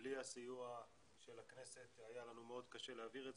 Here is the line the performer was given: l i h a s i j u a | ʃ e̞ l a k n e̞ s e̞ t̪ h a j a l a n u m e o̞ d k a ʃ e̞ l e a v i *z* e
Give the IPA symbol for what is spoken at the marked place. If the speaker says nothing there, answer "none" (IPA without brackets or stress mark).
ʁ